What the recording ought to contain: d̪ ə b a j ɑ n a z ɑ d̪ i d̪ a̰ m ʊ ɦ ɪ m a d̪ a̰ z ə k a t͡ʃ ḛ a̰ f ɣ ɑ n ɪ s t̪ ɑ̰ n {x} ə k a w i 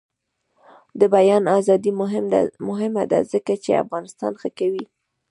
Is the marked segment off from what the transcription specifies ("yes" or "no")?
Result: no